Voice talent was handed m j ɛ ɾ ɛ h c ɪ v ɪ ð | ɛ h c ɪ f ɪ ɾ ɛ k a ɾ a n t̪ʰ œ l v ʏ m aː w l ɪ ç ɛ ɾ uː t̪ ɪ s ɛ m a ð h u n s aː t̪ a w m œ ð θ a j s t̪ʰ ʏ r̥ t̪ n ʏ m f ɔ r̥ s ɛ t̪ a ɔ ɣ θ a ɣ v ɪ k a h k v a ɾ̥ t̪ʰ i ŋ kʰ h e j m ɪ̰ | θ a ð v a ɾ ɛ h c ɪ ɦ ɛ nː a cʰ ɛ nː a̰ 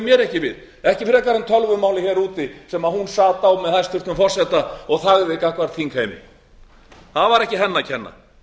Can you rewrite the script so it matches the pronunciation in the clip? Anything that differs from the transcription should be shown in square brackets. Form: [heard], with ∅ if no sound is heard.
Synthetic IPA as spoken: m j ɛ ɾ ɛ h c ɪ v ɪ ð | ɛ h c ɪ f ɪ ɾ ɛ k a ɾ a n t̪ʰ œ l v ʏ m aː w l ɪ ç ɛ ɾ uː t̪ ɪ s ɛ m a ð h u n s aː t̪ a w m [ɛ] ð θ a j s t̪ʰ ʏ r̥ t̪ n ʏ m f ɔ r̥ s ɛ t̪ a ɔ ɣ θ a ɣ v ɪ k a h k v a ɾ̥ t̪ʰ i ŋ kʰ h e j m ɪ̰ | θ a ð v a ɾ ɛ h c ɪ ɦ ɛ nː a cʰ ɛ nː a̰